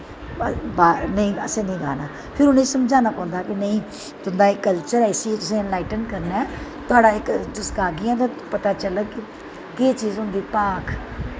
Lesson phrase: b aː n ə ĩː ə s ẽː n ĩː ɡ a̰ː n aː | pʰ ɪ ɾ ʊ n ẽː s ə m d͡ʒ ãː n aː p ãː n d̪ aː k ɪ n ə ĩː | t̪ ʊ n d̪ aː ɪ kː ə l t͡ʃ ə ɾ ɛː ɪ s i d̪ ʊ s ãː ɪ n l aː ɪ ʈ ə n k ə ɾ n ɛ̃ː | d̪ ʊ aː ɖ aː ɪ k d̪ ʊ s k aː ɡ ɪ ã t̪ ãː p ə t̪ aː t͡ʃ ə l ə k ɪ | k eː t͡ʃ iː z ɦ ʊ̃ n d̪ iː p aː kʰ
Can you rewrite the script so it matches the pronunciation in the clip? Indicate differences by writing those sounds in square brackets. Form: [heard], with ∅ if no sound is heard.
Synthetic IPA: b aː n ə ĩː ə s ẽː n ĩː ɡ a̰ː n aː | pʰ ɪ ɾ ʊ n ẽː s ə m d͡ʒ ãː n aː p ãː n d̪ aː k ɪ n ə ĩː | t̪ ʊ n d̪ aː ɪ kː ə l t͡ʃ ə ɾ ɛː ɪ s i [t̪] ʊ s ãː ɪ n l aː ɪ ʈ ə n k ə ɾ n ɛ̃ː | [t̪] ʊ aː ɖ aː ɪ k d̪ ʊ s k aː ɡ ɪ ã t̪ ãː p ə t̪ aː t͡ʃ ə l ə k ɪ | k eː t͡ʃ iː z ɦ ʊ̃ n d̪ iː p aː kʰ

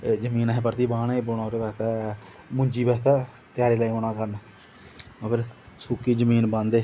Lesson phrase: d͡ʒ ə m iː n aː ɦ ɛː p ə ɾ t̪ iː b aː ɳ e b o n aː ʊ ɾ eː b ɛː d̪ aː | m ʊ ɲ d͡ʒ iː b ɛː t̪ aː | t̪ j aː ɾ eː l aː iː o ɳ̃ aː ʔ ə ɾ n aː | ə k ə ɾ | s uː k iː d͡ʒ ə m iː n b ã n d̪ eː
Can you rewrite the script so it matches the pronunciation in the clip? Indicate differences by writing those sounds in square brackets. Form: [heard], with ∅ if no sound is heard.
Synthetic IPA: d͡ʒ ə m iː n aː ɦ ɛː p ə ɾ t̪ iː b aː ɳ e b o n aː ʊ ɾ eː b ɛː [t̪] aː | m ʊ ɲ d͡ʒ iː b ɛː t̪ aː | t̪ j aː ɾ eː l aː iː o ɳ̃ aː [k] ə ɾ n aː | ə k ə ɾ | s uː k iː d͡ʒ ə m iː n b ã n d̪ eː

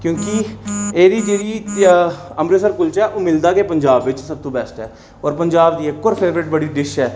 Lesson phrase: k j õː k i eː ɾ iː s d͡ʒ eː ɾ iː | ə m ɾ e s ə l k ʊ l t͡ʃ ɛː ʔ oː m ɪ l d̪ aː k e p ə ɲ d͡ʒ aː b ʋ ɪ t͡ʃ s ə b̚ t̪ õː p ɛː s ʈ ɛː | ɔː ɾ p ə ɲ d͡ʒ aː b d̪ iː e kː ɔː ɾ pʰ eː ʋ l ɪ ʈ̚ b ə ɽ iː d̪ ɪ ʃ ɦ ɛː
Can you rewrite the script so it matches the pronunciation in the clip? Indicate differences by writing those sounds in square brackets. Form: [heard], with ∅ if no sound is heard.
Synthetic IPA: k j õː k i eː ɾ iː [∅] d͡ʒ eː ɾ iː | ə m ɾ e s ə [ɾ] k ʊ l t͡ʃ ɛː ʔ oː m ɪ l d̪ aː k e p ə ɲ d͡ʒ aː b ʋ ɪ t͡ʃ s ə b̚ t̪ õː [b] ɛː s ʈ ɛː | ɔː ɾ p ə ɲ d͡ʒ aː b d̪ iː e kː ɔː ɾ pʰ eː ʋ [ɾ] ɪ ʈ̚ b ə ɽ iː d̪ ɪ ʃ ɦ ɛː

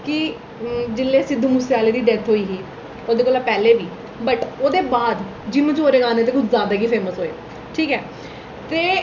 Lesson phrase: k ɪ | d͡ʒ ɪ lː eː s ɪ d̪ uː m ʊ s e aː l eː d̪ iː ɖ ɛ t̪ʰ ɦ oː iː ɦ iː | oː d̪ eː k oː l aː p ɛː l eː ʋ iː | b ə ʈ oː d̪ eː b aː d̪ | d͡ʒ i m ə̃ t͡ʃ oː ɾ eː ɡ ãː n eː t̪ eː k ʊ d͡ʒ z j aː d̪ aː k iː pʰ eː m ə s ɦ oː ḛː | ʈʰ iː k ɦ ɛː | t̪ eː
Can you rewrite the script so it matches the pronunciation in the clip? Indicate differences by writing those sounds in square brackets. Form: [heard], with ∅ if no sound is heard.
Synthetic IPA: k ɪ | d͡ʒ ɪ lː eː s ɪ d̪ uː m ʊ s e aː l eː d̪ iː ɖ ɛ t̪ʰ ɦ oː iː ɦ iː | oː d̪ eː k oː l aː p ɛː l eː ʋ iː | b ə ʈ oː d̪ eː b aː d̪ | d͡ʒ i m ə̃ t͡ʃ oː ɾ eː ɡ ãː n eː t̪ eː k ʊ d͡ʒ z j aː d̪ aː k iː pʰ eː m ə s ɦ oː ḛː | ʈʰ iː k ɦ ɛː | t̪ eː

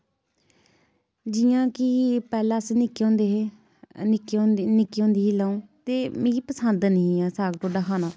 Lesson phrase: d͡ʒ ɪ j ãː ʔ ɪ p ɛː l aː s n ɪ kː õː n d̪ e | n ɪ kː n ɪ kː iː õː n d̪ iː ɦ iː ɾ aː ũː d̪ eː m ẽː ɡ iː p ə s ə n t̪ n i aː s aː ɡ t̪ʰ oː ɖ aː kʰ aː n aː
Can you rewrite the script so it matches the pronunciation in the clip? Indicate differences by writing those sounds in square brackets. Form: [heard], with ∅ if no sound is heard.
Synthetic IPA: d͡ʒ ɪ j ãː [k] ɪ p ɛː l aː s n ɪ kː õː n d̪ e | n ɪ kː n ɪ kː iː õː n d̪ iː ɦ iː [l] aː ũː [t̪] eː m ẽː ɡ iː p ə s ə n [d̪] n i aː s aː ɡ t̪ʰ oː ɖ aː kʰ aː n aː

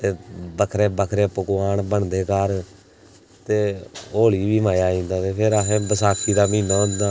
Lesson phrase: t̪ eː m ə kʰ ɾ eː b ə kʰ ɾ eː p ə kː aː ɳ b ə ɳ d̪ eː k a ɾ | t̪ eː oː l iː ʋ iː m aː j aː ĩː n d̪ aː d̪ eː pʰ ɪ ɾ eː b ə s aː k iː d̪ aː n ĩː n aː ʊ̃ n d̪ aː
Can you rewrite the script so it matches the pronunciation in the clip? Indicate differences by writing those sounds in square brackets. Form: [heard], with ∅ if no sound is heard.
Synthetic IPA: t̪ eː [b] ə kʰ ɾ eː b ə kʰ ɾ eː p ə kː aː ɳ b ə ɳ d̪ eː k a ɾ | t̪ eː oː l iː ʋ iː m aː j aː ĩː n d̪ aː [t̪] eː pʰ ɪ ɾ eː b ə s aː k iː d̪ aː [m] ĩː n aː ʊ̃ n d̪ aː

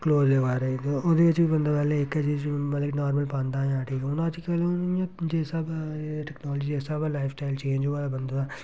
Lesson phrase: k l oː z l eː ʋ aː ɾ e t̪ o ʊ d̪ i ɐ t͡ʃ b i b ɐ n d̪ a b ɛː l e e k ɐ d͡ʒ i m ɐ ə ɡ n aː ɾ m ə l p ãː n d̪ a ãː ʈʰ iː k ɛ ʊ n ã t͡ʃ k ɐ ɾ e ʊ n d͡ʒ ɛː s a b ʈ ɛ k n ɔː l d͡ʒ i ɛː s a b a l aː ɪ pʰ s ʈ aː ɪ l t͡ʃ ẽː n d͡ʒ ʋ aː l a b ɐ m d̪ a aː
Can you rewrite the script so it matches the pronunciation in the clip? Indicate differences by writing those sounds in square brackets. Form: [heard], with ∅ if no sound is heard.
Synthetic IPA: k l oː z l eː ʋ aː ɾ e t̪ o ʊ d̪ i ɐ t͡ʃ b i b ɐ n d̪ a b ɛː l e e k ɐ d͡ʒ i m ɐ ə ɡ n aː ɾ m ə l p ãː n d̪ a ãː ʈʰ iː k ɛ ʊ n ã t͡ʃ k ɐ [l] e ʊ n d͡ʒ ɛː s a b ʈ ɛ k n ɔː l d͡ʒ i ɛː s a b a l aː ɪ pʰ s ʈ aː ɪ l t͡ʃ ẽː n d͡ʒ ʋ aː l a b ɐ [n] d̪ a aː

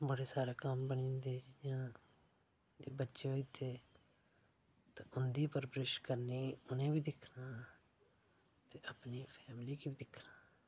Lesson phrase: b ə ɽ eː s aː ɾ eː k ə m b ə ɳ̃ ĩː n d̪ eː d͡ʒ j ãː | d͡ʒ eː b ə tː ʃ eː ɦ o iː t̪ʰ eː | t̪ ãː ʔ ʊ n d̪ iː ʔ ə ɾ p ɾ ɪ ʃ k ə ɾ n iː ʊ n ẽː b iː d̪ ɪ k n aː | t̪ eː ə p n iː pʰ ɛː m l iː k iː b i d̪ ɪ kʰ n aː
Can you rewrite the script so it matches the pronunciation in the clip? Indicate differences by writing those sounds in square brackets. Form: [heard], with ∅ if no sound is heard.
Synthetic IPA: b ə ɽ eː s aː ɾ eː k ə m b ə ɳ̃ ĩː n d̪ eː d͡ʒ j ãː | d͡ʒ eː b ə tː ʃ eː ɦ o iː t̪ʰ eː | t̪ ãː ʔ ʊ n d̪ iː [p] ə ɾ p ɾ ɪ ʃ k ə ɾ n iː ʊ n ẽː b iː d̪ ɪ [kʰ] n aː | t̪ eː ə p n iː pʰ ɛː m l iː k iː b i d̪ ɪ kʰ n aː

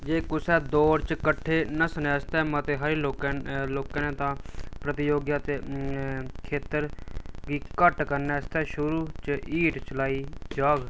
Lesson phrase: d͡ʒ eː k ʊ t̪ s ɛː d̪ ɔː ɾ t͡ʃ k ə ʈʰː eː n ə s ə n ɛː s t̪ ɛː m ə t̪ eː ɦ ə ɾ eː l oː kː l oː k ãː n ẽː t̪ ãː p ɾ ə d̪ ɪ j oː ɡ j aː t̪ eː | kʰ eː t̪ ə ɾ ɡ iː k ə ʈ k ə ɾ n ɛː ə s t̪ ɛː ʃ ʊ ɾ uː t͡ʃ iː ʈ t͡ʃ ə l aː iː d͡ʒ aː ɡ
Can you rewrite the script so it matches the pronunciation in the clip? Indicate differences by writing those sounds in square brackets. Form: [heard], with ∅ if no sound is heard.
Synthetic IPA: d͡ʒ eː k ʊ [∅] s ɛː d̪ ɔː ɾ t͡ʃ k ə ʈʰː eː n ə s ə n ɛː s t̪ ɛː m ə t̪ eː ɦ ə ɾ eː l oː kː l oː k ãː n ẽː t̪ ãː p ɾ ə [t̪] ɪ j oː ɡ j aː t̪ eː | kʰ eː t̪ ə ɾ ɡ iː k ə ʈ k ə ɾ n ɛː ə s t̪ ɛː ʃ ʊ ɾ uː t͡ʃ iː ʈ t͡ʃ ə l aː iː d͡ʒ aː ɡ

